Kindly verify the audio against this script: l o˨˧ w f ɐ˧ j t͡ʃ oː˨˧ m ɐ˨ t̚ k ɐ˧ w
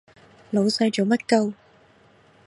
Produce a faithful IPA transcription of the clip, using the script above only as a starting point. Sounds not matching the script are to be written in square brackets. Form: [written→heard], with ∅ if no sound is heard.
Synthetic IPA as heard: l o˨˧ w [f→s] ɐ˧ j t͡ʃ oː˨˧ m [ɐ˨→ɐ˥] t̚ k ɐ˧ w

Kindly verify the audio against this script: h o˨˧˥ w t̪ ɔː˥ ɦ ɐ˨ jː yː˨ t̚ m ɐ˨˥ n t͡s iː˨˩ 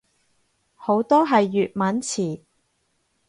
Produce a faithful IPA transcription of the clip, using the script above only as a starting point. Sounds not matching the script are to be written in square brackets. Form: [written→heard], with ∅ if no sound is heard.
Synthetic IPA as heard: h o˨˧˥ w t̪ ɔː˥ ɦ ɐ˨ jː yː˨ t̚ m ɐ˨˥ n [t͡s→t͡sʰ] iː˨˩

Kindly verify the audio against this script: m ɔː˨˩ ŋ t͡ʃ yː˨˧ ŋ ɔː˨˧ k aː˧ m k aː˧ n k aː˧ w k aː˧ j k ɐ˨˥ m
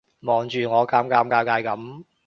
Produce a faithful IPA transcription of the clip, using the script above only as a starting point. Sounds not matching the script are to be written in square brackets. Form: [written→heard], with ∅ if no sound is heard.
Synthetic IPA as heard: m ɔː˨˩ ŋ t͡ʃ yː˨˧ ŋ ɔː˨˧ k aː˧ m k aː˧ [n→m] k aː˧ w k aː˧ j k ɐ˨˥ m

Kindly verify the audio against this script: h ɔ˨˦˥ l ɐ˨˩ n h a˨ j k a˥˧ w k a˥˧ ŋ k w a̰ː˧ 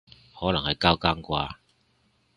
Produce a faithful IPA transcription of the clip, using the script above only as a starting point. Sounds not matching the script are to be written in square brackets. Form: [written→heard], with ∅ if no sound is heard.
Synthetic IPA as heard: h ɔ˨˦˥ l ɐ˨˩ [n→ŋ] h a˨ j k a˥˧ w k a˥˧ ŋ k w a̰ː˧

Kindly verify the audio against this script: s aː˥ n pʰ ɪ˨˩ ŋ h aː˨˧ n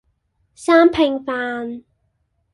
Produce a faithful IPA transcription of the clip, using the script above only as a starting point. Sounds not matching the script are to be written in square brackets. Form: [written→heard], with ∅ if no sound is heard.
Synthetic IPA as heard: s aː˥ [n→m] pʰ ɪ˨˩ ŋ [h→f] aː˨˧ n

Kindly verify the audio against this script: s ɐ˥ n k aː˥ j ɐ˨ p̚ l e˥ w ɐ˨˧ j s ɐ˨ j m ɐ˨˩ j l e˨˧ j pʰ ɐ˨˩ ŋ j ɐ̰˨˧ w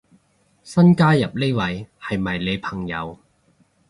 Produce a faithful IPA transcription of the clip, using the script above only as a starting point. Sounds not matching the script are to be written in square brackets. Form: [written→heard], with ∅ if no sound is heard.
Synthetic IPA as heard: s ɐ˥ n k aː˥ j ɐ˨ p̚ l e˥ w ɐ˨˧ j [s→h] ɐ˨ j m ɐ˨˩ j l e˨˧ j pʰ ɐ˨˩ ŋ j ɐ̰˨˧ w

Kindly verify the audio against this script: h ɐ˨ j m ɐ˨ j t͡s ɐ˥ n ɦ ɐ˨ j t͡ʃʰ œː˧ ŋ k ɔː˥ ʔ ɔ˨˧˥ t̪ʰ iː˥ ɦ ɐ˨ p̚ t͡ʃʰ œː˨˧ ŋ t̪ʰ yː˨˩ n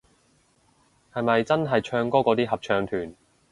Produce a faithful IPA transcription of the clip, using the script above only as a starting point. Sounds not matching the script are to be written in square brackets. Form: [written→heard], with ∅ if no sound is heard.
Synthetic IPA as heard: h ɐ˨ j m ɐ˨ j t͡s ɐ˥ n ɦ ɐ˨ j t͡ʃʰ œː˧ ŋ k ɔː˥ [ʔ→k] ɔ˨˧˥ [t̪ʰ→t̪] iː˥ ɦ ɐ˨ p̚ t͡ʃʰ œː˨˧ ŋ t̪ʰ yː˨˩ n

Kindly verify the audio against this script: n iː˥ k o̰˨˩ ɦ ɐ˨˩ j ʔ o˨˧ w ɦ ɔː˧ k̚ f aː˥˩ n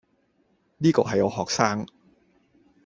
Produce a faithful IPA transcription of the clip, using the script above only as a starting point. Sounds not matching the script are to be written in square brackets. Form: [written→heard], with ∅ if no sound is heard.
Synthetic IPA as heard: n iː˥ k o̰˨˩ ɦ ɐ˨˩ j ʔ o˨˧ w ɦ [ɔː˧→ɔː˨˩] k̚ [f→s] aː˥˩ [n→ŋ]

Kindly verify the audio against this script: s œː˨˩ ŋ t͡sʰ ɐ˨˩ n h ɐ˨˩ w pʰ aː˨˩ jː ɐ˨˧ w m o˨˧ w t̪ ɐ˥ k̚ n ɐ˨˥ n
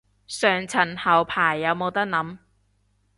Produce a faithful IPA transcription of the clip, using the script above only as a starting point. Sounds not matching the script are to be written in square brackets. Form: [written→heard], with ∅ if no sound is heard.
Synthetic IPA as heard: s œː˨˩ ŋ t͡sʰ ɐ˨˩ n h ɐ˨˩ w pʰ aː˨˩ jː ɐ˨˧ w m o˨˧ w t̪ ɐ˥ k̚ n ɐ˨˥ [n→m]

